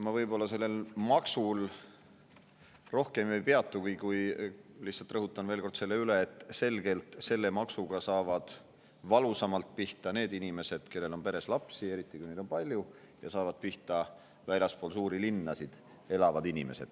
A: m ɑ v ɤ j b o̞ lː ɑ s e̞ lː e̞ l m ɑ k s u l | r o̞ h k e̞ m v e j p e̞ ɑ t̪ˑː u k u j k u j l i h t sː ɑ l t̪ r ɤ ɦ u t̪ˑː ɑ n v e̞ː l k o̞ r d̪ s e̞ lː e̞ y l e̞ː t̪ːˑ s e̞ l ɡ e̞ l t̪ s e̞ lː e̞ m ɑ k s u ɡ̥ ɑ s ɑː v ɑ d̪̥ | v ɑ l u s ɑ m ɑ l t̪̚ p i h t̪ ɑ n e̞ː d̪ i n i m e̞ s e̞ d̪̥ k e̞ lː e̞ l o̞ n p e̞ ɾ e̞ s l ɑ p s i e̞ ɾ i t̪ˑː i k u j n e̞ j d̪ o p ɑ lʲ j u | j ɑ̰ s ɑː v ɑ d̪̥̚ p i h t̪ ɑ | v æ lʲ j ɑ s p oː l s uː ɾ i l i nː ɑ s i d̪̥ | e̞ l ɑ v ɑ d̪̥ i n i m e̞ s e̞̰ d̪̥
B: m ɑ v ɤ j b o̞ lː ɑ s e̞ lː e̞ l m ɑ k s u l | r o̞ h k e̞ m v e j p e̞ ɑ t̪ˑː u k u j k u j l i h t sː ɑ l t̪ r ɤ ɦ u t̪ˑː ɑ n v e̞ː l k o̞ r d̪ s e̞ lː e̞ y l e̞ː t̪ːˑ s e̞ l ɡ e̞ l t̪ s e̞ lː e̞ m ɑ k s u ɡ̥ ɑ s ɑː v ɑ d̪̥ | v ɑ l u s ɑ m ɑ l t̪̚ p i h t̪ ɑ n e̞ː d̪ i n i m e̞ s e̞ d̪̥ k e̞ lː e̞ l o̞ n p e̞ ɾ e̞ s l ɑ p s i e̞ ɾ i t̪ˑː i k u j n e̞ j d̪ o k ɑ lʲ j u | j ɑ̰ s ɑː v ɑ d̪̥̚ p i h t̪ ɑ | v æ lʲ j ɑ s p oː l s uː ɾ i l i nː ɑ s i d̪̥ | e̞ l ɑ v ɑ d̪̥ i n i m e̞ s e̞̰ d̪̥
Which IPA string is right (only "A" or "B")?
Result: A